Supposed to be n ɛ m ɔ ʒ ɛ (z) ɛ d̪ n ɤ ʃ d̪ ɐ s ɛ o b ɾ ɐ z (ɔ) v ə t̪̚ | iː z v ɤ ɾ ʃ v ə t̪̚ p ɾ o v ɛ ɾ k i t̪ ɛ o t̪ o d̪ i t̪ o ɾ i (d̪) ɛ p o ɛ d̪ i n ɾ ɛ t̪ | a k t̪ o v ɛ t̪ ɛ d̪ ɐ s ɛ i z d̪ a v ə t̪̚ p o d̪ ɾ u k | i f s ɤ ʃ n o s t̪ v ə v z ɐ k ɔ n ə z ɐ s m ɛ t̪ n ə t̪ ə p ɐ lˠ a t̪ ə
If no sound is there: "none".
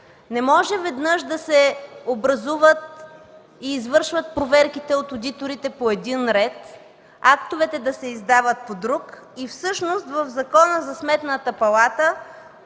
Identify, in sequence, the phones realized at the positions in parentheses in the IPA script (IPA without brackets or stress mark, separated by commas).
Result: v, u, t̪